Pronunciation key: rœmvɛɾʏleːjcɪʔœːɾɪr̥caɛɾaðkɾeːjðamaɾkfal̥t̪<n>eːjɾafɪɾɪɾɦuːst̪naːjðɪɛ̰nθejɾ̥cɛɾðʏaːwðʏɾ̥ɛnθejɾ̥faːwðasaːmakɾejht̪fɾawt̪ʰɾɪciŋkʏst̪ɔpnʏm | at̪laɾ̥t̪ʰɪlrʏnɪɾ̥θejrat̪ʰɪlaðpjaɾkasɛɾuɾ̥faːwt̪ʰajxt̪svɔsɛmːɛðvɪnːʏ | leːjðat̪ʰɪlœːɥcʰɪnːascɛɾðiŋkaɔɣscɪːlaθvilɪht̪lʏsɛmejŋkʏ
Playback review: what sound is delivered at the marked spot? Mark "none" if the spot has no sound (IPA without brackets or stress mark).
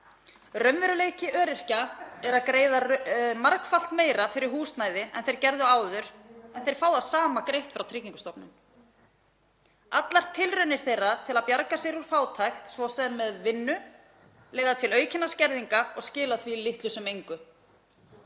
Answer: m